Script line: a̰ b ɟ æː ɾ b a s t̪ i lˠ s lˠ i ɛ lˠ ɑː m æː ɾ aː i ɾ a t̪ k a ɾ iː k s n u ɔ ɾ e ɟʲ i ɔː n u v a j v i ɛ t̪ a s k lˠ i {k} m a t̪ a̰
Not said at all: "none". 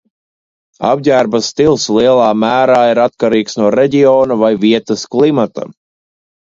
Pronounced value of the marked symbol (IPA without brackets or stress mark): none